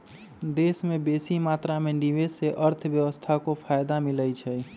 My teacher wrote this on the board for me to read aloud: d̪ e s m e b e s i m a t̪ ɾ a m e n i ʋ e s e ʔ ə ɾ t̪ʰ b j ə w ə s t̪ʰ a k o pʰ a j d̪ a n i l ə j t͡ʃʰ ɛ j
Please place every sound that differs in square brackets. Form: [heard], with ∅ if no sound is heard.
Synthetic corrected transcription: d̪ e s m e b e s i m a t̪ ɾ a m e n i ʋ e s e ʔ ə ɾ t̪ʰ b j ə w ə s t̪ʰ a k o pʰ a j d̪ a [m] i l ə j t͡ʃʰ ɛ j